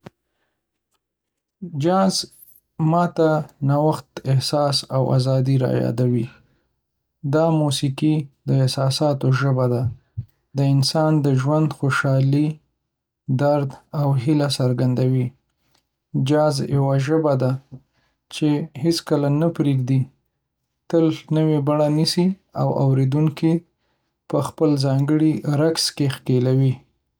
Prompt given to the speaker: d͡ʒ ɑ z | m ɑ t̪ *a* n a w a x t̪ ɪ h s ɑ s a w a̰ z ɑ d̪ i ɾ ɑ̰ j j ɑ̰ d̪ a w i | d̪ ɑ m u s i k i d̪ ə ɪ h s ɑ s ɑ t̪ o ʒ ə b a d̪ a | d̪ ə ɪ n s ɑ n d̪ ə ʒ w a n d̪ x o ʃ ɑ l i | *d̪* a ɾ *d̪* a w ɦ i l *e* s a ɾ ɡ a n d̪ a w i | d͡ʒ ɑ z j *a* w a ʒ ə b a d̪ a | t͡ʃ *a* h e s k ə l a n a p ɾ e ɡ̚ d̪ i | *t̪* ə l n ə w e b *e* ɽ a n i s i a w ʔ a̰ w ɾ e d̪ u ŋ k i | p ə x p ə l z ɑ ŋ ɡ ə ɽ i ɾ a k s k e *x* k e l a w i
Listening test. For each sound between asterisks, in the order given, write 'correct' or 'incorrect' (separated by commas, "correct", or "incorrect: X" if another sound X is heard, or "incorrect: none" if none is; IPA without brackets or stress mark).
correct, correct, correct, incorrect: a, correct, incorrect: e, correct, incorrect: a, correct